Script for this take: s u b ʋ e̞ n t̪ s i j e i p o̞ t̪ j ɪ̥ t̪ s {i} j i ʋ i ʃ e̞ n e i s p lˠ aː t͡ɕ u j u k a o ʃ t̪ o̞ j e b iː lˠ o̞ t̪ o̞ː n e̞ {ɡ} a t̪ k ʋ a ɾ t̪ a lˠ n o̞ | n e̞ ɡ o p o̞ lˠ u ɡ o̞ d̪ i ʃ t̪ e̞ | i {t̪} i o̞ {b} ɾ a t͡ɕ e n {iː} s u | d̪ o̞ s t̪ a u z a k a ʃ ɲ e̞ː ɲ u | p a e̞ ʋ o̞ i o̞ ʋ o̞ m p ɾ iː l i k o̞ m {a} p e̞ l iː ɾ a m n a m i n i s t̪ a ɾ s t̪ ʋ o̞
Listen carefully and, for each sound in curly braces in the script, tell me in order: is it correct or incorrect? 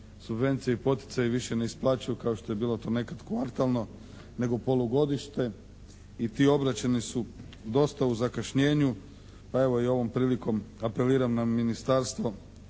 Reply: incorrect: a, incorrect: k, correct, correct, incorrect: i, correct

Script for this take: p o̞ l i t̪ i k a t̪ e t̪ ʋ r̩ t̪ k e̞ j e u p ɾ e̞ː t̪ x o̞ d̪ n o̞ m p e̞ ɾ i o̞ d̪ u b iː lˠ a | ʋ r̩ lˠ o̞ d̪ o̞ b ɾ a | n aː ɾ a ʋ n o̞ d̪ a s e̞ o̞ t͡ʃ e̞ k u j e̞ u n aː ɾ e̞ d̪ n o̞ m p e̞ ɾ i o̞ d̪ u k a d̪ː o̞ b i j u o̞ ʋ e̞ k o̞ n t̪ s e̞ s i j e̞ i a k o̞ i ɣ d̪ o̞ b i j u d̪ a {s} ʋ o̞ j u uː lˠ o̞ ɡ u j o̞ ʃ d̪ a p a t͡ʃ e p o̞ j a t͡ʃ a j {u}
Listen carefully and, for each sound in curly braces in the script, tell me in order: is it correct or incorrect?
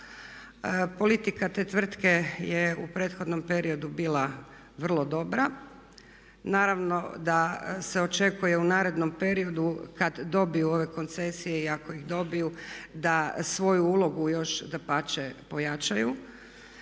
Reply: correct, correct

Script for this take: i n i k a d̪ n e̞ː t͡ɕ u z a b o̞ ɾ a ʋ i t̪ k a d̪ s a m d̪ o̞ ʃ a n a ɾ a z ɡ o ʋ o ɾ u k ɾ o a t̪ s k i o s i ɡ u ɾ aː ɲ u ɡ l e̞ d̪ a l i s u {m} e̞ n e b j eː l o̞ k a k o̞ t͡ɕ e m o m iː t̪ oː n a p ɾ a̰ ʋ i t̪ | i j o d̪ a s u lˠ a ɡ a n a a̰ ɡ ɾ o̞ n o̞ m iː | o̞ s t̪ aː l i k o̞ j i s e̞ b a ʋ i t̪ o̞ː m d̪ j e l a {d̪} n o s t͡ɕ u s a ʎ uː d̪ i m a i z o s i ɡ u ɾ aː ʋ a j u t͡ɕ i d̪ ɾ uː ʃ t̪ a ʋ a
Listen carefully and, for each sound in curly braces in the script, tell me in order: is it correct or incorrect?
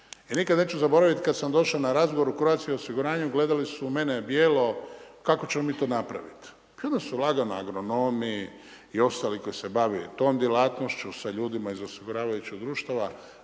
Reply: correct, incorrect: t̪

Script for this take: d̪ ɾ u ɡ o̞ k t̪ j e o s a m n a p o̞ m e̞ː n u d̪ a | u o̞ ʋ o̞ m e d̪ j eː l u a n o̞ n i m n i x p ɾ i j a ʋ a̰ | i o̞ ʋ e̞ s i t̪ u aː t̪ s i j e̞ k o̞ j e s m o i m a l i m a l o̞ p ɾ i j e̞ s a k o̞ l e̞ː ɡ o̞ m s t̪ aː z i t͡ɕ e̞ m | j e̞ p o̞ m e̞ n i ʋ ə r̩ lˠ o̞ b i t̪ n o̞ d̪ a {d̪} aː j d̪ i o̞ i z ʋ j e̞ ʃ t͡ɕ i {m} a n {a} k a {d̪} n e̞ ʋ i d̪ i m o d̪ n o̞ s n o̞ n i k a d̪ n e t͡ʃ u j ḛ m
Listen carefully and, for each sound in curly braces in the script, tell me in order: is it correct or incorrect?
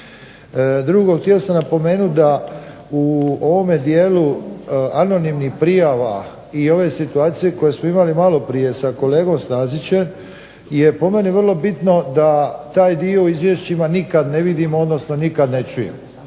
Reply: incorrect: t̪, correct, incorrect: i, correct

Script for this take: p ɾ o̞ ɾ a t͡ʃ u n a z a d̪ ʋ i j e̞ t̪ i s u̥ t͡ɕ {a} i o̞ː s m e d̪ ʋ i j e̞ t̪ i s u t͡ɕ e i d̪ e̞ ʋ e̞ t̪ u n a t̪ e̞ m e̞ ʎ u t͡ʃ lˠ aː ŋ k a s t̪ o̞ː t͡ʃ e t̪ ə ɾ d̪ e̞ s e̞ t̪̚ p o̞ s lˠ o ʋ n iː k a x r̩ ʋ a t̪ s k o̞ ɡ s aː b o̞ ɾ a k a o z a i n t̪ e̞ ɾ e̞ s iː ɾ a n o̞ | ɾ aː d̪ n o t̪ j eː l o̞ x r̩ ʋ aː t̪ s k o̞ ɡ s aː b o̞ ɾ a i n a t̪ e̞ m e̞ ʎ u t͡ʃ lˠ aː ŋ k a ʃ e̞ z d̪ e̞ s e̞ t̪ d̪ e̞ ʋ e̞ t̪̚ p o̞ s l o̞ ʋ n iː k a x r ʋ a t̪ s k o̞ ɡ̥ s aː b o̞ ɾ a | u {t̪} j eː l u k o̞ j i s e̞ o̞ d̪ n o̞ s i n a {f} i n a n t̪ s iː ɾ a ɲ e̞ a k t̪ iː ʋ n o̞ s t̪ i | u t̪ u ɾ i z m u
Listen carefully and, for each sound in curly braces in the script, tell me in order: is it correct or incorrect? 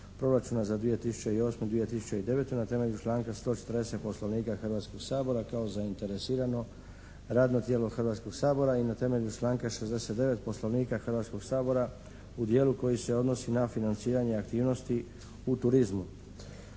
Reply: incorrect: e, incorrect: d̪, correct

